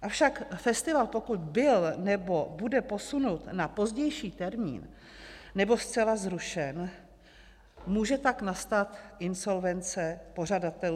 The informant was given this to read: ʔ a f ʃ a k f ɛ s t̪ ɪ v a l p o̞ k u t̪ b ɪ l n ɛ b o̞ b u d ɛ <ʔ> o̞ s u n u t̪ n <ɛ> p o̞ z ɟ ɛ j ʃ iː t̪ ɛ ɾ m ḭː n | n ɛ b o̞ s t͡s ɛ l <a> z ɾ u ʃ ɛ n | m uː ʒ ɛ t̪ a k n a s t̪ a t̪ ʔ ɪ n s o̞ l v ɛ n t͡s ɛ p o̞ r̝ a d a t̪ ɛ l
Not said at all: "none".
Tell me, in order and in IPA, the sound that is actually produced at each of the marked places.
p, a, a

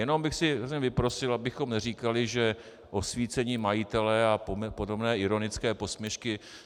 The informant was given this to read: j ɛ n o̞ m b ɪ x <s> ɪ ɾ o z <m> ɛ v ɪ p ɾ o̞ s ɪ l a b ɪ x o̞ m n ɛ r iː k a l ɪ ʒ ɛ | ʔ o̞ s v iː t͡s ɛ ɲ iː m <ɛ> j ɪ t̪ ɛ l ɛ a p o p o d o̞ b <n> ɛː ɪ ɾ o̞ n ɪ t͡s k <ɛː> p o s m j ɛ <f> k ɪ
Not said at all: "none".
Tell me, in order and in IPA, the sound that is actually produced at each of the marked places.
s, ɲ, a, n, ɛː, ʃ

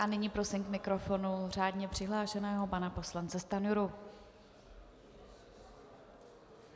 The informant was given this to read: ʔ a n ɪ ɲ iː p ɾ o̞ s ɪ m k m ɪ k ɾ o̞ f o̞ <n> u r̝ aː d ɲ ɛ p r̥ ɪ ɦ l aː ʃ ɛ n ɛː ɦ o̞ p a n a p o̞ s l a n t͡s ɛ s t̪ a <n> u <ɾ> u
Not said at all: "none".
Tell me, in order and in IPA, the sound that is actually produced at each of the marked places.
n, n, ɾ

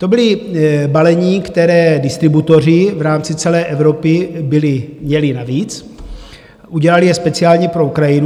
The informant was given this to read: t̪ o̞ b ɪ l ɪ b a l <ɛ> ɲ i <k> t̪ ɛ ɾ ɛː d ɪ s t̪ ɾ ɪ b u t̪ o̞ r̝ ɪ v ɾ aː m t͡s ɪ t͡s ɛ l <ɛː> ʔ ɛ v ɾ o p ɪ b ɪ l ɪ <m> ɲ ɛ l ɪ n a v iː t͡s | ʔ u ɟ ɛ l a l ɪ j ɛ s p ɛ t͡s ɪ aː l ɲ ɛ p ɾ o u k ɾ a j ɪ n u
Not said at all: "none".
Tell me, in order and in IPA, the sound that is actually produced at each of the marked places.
ɛ, k, ɛː, m

